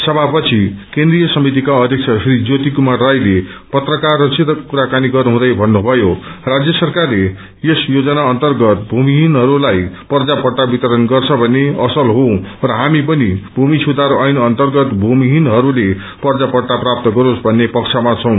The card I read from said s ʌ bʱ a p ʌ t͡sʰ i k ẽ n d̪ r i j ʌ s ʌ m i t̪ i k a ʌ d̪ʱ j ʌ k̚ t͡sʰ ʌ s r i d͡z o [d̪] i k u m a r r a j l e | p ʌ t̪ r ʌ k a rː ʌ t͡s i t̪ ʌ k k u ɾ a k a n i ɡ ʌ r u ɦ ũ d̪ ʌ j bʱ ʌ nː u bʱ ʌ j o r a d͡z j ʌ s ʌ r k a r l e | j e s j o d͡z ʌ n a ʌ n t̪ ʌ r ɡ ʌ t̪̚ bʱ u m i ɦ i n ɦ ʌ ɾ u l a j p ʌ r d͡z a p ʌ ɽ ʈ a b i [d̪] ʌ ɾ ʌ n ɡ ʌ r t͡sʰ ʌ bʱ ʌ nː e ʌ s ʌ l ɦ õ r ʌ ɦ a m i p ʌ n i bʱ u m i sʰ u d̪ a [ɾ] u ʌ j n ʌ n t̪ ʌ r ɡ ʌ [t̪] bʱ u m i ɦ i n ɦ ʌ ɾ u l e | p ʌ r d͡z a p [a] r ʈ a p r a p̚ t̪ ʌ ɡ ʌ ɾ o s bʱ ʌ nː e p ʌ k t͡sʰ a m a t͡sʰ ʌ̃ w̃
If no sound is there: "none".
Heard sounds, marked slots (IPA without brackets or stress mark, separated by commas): t̪, t̪, ɾ, t̪, ʌ